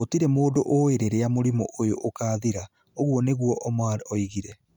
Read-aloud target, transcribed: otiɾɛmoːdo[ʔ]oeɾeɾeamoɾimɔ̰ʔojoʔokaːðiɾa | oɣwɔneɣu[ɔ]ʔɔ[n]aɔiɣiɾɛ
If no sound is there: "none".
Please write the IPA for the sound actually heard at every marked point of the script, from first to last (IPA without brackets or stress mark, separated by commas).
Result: ʔ, ɔ, m